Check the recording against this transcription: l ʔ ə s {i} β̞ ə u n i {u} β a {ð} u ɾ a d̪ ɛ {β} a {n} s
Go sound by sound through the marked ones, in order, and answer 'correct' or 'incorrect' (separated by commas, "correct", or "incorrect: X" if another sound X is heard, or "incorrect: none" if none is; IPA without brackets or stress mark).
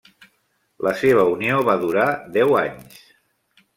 incorrect: e, incorrect: o, correct, incorrect: w, incorrect: ɲ